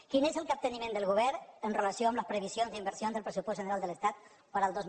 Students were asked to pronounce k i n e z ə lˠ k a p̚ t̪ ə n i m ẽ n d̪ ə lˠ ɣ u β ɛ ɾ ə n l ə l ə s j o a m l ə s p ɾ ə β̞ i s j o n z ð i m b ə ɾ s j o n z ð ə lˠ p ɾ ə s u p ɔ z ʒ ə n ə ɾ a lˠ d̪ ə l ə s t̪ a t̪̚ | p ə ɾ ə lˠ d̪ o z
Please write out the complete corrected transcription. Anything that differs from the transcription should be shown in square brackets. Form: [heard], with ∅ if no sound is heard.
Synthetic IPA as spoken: k i n e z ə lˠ k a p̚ t̪ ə n i m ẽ n d̪ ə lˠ ɣ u β ɛ ɾ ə n [r] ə l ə s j o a m l ə s p ɾ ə β̞ i s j o n z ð i m b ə ɾ s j o n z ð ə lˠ p ɾ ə s u p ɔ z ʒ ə n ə ɾ a lˠ d̪ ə l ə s t̪ a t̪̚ | p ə ɾ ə lˠ d̪ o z